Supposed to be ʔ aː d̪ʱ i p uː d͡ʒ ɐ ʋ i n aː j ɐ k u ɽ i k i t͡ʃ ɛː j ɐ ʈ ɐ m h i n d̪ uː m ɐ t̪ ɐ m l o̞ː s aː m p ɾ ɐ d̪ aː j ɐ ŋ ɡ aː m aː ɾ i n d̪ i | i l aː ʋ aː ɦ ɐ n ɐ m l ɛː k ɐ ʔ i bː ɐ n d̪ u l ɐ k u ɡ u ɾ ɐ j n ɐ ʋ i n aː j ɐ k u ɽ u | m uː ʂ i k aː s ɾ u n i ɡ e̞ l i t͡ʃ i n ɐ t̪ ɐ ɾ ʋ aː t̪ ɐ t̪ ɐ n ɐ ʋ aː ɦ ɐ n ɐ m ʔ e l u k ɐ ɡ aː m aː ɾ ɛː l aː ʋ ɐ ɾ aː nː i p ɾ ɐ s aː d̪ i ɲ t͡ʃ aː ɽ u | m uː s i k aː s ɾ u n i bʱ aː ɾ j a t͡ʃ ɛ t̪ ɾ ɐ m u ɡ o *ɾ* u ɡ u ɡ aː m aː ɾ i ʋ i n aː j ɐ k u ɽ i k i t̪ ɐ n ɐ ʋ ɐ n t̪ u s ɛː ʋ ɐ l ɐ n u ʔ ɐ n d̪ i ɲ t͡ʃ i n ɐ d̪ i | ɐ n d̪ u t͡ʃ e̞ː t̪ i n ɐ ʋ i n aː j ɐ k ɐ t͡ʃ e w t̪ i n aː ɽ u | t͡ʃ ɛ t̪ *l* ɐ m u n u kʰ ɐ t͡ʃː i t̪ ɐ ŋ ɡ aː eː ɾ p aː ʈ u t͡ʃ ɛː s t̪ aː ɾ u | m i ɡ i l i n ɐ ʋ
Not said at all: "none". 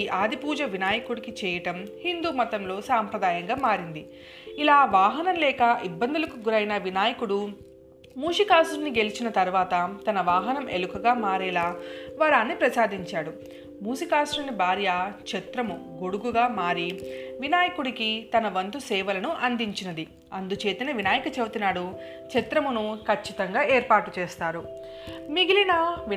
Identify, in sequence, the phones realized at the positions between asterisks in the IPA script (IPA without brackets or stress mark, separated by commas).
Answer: ɽ, ɾ